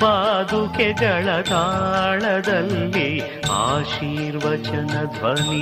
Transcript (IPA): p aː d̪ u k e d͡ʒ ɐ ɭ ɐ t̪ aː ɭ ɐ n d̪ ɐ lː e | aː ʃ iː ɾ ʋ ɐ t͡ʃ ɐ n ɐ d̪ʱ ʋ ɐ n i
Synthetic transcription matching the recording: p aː d̪ u k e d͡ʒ ɐ ɭ ɐ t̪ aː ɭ ɐ d̪ ɐ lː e | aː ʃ iː ɾ ʋ ɐ t͡ʃ ɐ n ɐ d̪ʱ ʋ ɐ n i